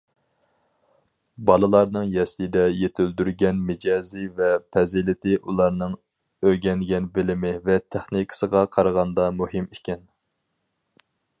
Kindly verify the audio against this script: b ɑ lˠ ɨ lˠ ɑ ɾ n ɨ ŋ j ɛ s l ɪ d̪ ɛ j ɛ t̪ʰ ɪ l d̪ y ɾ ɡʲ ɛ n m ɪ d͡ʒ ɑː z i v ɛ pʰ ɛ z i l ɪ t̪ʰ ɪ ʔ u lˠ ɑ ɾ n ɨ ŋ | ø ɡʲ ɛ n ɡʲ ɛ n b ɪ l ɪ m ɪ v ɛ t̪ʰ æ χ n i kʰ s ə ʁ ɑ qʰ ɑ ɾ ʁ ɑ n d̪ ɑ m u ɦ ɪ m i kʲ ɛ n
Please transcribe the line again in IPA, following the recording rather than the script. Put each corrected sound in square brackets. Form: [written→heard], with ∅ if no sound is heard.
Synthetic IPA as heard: b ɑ lˠ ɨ lˠ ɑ ɾ n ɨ ŋ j ɛ s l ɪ d̪ ɛ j [ɛ→e] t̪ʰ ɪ l d̪ y ɾ ɡʲ ɛ n m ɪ d͡ʒ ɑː z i v ɛ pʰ ɛ z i l ɪ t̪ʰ ɪ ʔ u lˠ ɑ ɾ n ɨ ŋ | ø ɡʲ ɛ n ɡʲ ɛ n b ɪ l ɪ m ɪ v ɛ t̪ʰ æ χ n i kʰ s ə ʁ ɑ qʰ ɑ ɾ ʁ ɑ n d̪ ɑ m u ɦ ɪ m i kʲ ɛ n

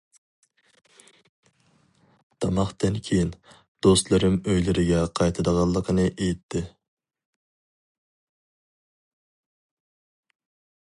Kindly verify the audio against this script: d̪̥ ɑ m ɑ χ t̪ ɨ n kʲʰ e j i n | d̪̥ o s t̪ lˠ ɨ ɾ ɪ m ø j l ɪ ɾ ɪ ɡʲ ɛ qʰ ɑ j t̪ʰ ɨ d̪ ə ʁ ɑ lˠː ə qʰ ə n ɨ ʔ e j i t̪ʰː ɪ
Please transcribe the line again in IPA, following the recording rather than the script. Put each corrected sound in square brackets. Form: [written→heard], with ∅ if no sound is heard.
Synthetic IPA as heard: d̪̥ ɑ m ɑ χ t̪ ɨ n kʲʰ e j i n | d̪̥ o s t̪ lˠ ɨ ɾ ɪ m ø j l ɪ ɾ ɪ ɡʲ ɛ qʰ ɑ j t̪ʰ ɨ d̪ ə ʁ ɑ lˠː ə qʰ ə n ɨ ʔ e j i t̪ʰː ɪ

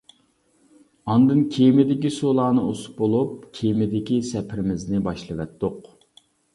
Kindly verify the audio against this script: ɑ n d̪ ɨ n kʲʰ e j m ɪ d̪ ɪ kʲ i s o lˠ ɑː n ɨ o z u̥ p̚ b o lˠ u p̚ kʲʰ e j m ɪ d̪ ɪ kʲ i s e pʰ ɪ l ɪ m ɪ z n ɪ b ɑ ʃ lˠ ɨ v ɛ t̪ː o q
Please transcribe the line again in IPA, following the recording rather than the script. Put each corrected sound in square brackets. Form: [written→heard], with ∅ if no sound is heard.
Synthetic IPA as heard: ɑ n d̪ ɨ n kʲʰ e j m ɪ d̪ ɪ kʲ i s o lˠ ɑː n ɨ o [z→s] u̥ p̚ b o lˠ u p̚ kʲʰ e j m ɪ d̪ ɪ kʲ i s [e→ɛ] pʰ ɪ [l→ɾ] ɪ m ɪ z n ɪ b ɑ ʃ lˠ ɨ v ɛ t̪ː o q

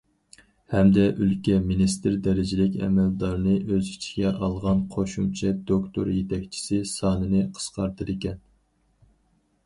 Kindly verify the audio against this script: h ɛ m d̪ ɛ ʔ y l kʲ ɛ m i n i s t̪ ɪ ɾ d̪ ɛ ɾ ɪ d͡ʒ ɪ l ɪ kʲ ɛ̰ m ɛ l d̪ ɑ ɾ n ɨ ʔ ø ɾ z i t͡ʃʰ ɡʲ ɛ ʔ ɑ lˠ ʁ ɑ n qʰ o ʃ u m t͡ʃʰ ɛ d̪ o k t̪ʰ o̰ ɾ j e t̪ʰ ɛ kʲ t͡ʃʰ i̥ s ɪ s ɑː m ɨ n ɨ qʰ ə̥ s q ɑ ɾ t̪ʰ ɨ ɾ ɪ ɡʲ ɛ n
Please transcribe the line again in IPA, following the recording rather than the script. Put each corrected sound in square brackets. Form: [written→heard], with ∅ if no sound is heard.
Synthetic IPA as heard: h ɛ m d̪ ɛ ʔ y l kʲ ɛ m i n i s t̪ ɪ ɾ d̪ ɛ ɾ ɪ d͡ʒ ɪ l ɪ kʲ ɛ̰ m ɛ l d̪ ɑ ɾ n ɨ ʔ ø [ɾ→∅] z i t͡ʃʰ ɡʲ ɛ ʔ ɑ lˠ ʁ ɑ n qʰ o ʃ u m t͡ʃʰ ɛ d̪ o k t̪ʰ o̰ ɾ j e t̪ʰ ɛ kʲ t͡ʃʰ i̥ s ɪ s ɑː [m→n] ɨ n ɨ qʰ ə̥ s q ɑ ɾ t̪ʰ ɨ ɾ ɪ [ɡʲ→kʲ] ɛ n

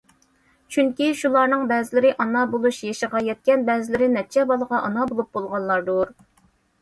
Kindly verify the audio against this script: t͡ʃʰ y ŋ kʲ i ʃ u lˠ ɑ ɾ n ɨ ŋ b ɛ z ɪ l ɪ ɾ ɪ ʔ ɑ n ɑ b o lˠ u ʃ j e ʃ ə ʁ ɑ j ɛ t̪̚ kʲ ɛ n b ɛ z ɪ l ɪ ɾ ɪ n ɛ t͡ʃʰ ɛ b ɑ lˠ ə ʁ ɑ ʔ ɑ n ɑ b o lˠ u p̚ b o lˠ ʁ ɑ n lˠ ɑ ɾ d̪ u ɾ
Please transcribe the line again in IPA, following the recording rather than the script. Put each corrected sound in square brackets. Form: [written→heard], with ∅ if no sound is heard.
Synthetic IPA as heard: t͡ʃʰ y ŋ kʲ i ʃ u lˠ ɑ ɾ n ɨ ŋ b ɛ z ɪ l ɪ ɾ ɪ ʔ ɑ n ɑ b o lˠ u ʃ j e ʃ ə ʁ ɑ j ɛ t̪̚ kʲ ɛ n b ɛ z ɪ l ɪ ɾ ɪ n ɛ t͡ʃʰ ɛ b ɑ lˠ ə ʁ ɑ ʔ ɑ n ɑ b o lˠ u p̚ b o lˠ ʁ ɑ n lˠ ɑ ɾ d̪ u ɾ

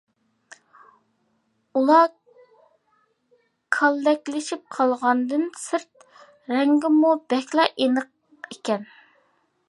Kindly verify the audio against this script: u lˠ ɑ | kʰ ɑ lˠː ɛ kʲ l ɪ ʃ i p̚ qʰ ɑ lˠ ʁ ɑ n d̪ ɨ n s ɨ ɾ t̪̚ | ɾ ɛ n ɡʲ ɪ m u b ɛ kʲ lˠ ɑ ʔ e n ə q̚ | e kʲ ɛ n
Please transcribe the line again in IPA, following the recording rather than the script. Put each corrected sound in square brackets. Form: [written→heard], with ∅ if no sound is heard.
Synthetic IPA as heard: u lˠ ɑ | kʰ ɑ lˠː ɛ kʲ l ɪ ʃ i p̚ qʰ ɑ lˠ ʁ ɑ n d̪ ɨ n s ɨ ɾ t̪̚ | ɾ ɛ [n→ŋ] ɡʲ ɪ m u b ɛ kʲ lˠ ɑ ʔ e n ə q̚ | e kʲ ɛ n

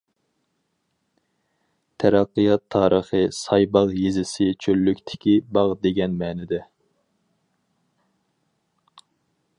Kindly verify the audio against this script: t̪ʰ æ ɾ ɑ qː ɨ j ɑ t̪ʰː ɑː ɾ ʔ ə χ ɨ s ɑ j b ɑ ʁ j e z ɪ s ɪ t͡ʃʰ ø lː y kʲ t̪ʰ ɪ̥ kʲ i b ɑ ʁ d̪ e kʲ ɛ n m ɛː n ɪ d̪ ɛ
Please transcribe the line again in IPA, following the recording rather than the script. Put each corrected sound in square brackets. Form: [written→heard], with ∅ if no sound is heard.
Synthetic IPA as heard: t̪ʰ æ ɾ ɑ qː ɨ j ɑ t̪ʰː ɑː ɾ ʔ ə χ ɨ s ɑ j b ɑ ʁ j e z ɪ s ɪ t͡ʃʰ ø lː y kʲ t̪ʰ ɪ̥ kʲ i b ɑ ʁ d̪ e [kʲ→ɡʲ] ɛ n m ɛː n ɪ d̪ ɛ

